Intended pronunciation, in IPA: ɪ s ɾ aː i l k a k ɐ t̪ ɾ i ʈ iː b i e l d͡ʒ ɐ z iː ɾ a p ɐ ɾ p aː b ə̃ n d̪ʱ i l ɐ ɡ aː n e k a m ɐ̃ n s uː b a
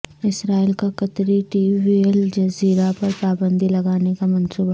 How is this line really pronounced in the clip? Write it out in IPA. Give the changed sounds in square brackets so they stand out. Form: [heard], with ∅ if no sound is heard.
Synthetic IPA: ɪ s ɾ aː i l k a k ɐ t̪ ɾ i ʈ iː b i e l d͡ʒ ɐ z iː ɾ a p ɐ ɾ p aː b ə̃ n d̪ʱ i l ɐ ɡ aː n e k a m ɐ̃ n s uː b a